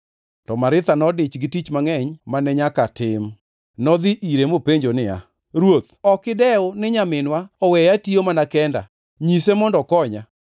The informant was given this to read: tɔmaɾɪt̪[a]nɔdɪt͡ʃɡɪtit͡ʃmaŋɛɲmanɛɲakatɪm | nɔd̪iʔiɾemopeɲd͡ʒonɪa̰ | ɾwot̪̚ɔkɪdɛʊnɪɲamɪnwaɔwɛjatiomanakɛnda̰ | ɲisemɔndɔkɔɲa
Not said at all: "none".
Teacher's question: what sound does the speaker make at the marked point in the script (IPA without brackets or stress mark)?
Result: a